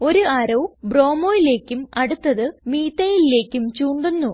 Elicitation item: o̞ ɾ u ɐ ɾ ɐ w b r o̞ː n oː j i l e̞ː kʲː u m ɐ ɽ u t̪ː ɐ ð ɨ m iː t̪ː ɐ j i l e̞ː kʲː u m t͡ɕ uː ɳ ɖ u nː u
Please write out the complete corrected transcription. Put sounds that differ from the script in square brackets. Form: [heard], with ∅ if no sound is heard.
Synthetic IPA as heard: o̞ ɾ u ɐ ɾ ɐ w b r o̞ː [m] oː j i l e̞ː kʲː u m ɐ ɽ u t̪ː ɐ ð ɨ m iː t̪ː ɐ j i l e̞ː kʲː u m t͡ɕ uː ɳ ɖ u nː u